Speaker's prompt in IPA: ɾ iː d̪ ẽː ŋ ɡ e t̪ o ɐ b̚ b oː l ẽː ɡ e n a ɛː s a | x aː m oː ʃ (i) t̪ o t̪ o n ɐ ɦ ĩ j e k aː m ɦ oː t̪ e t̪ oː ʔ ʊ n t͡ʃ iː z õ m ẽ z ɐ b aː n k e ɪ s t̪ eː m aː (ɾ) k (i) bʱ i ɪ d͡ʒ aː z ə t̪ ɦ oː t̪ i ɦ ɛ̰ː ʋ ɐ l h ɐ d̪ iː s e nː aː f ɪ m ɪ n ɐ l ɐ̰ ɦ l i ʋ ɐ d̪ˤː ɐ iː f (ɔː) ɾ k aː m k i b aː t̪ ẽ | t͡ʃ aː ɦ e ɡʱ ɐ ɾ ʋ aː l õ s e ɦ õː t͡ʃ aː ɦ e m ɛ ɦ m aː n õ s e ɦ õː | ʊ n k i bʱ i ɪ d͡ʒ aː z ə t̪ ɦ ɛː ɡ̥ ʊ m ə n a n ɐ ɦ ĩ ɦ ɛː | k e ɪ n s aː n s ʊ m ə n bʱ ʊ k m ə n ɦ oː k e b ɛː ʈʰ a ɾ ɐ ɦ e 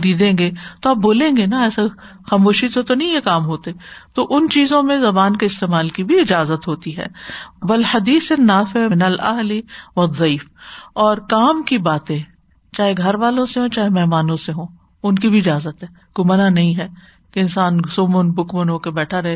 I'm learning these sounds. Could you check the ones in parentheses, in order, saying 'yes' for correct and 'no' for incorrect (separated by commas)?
yes, no, yes, yes